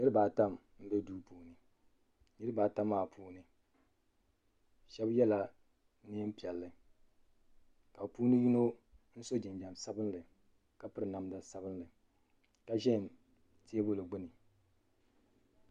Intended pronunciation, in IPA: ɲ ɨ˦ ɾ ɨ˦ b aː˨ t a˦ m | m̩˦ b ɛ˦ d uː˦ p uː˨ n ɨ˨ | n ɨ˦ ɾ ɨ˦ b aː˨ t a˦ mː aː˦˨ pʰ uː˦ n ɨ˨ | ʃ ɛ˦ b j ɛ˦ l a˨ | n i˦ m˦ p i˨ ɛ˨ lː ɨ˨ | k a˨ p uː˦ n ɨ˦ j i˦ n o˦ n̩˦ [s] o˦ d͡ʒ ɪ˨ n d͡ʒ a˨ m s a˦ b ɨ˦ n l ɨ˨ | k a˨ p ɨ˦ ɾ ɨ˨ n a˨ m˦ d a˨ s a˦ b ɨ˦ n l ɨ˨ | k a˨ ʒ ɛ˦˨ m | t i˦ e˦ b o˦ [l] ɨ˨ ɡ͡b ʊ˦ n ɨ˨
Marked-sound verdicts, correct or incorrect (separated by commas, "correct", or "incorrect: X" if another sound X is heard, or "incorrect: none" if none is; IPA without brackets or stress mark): correct, correct